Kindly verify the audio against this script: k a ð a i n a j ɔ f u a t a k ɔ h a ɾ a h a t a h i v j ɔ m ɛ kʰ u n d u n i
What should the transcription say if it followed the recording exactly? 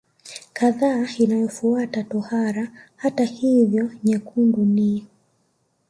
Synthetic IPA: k a ð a i n a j ɔ f u a t a t ɔ h a ɾ a h a t a h i v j ɔ ɲ ɛ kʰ u n d u n i